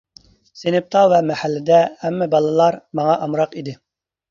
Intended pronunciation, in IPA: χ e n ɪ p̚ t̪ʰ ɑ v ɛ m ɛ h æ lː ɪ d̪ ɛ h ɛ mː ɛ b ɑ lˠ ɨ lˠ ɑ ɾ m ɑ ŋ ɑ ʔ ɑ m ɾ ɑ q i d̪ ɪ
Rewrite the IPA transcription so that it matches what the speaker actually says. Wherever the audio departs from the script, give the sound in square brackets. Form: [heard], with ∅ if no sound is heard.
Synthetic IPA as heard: [s] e n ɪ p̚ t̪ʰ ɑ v ɛ m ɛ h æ lː ɪ d̪ ɛ h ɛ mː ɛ b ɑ lˠ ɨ lˠ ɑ ɾ m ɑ ŋ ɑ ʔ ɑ m ɾ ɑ q i d̪ ɪ